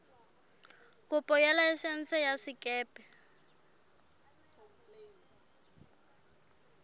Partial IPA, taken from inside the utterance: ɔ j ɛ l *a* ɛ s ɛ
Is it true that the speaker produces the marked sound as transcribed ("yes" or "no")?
yes